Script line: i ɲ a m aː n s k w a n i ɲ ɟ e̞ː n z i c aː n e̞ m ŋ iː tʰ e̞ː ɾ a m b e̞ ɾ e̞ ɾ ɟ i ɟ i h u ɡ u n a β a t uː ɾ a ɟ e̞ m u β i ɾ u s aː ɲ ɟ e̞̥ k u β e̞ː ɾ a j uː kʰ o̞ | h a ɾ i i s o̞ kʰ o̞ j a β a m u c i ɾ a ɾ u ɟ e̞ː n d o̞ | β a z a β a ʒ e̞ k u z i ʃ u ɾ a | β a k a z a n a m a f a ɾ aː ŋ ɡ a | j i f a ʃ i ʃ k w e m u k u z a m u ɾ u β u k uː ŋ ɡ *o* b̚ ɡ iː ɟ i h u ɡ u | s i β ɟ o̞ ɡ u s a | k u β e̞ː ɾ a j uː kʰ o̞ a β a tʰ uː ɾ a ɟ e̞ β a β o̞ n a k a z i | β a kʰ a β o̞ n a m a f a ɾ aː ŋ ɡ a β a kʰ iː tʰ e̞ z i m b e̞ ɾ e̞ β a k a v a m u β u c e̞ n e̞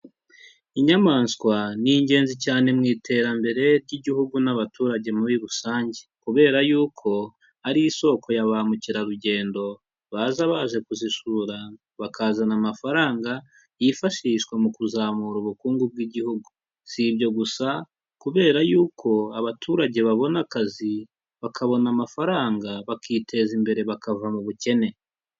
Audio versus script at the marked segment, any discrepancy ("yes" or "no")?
yes